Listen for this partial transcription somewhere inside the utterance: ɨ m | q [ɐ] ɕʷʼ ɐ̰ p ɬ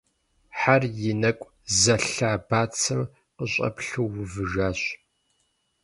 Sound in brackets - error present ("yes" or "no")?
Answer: yes